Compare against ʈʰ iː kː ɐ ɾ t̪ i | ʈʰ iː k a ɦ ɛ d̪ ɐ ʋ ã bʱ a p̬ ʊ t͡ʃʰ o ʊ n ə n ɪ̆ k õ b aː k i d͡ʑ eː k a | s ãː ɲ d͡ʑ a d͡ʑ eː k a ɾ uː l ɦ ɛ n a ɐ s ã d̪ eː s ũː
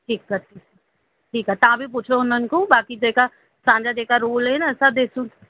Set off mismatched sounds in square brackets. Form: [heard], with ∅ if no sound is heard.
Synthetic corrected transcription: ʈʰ iː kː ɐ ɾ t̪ i | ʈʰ iː k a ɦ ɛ [t̪] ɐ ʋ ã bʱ [i] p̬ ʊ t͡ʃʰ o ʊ n ə n ɪ̆ k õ b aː k i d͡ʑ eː k a | s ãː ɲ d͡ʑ a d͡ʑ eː k a ɾ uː l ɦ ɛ n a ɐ s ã d̪ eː s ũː